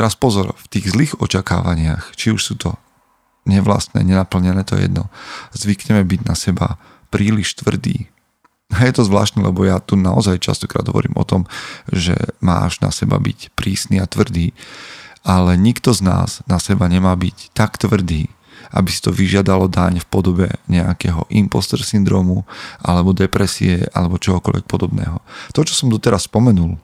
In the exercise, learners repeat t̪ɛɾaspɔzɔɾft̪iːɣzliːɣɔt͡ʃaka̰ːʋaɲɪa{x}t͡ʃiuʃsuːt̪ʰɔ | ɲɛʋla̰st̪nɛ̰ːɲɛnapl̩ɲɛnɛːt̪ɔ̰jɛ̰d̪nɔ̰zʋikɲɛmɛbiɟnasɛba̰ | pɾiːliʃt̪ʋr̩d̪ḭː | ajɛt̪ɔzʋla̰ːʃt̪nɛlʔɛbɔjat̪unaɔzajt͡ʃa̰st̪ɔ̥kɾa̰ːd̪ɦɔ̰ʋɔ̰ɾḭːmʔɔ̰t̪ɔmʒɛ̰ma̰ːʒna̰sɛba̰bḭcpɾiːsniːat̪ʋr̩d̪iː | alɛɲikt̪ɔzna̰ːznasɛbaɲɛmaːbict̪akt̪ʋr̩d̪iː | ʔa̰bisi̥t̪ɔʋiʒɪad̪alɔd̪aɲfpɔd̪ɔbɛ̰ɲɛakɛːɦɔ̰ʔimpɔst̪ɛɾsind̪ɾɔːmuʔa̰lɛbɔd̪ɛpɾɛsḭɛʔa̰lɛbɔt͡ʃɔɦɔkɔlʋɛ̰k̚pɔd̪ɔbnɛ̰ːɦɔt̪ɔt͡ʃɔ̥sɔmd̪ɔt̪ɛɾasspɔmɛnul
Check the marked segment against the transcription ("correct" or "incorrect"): correct